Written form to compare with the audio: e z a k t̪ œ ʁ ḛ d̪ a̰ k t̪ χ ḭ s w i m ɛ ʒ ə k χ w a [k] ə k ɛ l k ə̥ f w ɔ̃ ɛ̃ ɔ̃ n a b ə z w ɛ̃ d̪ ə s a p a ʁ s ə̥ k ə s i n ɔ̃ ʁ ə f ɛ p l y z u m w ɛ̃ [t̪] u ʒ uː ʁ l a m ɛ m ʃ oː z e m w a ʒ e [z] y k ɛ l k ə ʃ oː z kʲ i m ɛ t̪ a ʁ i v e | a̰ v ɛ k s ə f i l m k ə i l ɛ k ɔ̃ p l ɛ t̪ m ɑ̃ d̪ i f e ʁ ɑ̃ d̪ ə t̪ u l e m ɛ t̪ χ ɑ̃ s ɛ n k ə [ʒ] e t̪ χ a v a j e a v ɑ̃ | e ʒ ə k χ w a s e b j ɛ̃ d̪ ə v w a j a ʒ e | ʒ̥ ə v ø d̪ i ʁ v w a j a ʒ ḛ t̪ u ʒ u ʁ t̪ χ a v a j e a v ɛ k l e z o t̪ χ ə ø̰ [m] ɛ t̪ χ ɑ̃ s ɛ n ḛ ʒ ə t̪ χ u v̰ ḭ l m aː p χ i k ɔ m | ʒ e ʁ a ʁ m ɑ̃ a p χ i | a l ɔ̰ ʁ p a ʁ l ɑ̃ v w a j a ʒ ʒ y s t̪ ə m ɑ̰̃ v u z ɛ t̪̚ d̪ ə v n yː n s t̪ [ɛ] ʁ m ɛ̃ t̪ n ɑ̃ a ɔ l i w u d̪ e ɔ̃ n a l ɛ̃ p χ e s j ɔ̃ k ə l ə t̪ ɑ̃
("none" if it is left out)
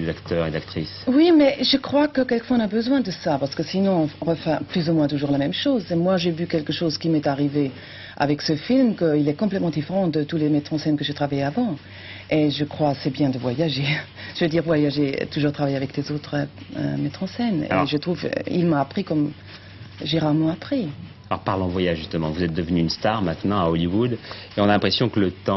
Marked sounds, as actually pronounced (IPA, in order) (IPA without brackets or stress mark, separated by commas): k, t̪, v, ʒ, m, a